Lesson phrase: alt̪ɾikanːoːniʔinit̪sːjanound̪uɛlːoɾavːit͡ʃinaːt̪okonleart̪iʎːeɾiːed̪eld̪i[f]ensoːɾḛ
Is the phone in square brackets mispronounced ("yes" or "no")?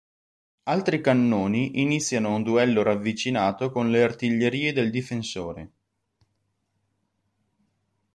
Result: no